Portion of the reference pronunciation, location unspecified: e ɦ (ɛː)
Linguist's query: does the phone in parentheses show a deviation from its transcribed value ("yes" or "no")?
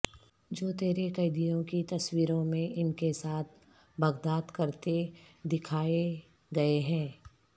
yes